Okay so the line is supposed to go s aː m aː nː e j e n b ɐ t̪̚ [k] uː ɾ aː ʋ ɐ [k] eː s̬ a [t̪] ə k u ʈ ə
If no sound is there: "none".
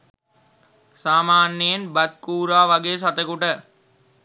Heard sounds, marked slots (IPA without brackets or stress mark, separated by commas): k, ɡ, t̪